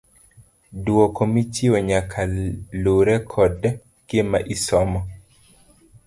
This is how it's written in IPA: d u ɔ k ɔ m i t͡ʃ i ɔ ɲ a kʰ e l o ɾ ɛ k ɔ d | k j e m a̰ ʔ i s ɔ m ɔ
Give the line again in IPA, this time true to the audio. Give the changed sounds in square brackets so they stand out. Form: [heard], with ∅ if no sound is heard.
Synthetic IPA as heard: d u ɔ k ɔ m i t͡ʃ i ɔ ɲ a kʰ [a] l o ɾ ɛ [kʰ] ɔ d | k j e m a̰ ʔ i s ɔ m ɔ